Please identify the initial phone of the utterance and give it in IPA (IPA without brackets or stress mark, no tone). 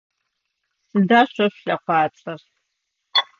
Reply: s